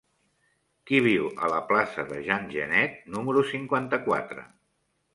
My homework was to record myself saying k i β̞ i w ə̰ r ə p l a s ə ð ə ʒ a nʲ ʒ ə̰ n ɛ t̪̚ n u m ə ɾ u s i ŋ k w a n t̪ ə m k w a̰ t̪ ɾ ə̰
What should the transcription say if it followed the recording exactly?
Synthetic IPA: k i β̞ i w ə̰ l ə p l a s ə ð ə ʒ a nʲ ʒ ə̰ n ɛ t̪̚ n u m ə ɾ u s i ŋ k w a n t̪ ə k w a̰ t̪ ɾ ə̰